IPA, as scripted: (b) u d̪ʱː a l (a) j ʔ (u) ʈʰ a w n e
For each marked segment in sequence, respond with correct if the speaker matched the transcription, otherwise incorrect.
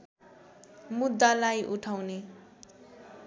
incorrect, correct, correct

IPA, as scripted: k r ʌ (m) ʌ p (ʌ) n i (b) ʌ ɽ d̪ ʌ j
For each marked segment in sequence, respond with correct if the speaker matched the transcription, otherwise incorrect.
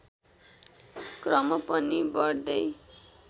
correct, correct, correct

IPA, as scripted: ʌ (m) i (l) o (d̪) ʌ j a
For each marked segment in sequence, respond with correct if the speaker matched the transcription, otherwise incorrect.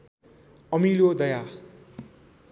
correct, correct, correct

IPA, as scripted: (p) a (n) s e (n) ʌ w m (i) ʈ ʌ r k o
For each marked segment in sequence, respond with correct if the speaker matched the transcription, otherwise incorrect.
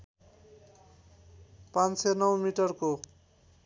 correct, correct, correct, correct

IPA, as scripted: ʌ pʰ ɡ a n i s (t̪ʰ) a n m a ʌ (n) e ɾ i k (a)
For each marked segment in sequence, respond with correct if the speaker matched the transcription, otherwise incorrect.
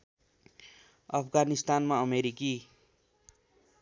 incorrect, incorrect, incorrect

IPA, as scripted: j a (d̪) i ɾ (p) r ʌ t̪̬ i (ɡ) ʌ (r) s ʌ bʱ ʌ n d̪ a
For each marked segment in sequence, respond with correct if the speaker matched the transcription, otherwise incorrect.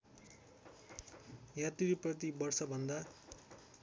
incorrect, correct, incorrect, correct

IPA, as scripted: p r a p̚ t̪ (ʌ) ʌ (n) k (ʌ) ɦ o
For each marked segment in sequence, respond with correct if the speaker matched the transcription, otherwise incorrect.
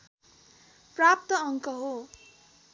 correct, incorrect, correct

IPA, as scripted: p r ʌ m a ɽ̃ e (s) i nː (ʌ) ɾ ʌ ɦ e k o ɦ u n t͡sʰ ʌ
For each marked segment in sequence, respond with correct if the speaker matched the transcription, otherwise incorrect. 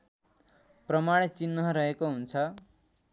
incorrect, correct

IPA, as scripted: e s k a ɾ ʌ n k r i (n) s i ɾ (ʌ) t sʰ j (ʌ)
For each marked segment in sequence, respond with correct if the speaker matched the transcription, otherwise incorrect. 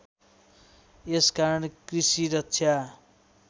incorrect, correct, incorrect

